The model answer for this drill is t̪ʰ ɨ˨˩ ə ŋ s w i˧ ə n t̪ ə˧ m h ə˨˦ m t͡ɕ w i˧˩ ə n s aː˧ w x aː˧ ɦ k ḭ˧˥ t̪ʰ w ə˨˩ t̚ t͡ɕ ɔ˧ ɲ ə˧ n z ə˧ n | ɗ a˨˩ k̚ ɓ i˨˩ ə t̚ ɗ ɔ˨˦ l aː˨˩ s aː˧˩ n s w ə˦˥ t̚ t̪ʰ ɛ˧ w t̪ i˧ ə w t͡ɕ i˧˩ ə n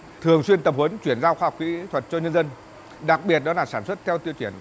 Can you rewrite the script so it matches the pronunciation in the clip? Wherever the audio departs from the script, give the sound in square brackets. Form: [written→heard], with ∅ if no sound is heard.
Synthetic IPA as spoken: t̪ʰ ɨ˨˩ ə ŋ s w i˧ ə n t̪ [ə˧→ə˨˩] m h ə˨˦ [m→n] t͡ɕ w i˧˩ ə n [s→z] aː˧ w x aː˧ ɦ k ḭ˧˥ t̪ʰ w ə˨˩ t̚ t͡ɕ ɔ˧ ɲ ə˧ n z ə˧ n | ɗ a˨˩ k̚ ɓ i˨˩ ə t̚ ɗ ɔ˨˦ l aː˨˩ s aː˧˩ n s w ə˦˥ t̚ t̪ʰ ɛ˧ w t̪ i˧ ə w t͡ɕ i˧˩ ə n